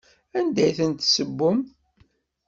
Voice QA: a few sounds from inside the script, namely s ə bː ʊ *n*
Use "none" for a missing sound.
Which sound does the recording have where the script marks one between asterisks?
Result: m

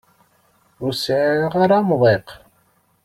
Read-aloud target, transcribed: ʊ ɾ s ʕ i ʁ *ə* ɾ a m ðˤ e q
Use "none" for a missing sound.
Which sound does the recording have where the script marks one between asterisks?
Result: a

